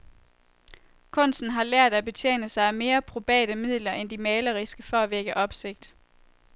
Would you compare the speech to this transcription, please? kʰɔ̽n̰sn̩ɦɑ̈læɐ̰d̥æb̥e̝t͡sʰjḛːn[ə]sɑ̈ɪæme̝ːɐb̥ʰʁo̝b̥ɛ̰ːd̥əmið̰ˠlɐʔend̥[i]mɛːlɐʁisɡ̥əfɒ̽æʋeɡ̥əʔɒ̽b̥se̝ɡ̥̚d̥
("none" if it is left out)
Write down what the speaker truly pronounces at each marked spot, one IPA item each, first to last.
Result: ə, i

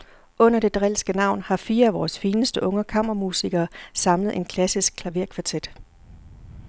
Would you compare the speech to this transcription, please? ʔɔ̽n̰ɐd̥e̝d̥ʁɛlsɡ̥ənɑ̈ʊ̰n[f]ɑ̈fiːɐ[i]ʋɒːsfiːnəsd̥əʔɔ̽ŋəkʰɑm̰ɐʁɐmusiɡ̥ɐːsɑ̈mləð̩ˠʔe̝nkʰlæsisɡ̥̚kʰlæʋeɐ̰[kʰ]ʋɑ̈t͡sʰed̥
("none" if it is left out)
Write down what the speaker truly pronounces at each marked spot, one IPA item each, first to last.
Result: h, æ, kʰ

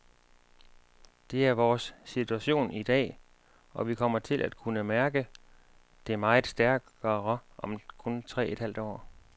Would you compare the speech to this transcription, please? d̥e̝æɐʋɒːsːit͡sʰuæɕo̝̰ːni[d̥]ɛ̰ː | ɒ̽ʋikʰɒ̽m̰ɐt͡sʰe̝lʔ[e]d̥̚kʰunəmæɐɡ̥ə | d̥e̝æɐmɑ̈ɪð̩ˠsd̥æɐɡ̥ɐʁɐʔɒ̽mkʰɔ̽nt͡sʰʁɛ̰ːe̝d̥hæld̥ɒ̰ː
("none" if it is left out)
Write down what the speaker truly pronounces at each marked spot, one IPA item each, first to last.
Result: d̥, æ

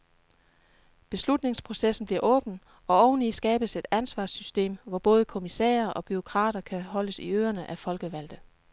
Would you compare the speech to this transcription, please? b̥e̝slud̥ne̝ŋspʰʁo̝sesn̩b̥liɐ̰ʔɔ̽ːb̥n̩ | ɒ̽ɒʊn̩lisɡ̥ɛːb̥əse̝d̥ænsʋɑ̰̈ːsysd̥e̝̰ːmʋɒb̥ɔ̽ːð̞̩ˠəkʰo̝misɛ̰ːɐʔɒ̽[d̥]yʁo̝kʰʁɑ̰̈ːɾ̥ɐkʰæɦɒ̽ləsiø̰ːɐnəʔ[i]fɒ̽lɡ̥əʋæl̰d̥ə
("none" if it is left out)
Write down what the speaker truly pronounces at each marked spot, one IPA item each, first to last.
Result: b̥, æ

